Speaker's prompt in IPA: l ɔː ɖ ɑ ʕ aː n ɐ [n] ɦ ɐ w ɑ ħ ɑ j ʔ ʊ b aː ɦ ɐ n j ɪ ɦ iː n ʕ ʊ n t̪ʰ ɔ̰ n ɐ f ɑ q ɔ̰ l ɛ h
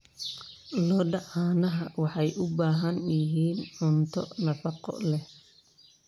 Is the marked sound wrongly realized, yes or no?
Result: yes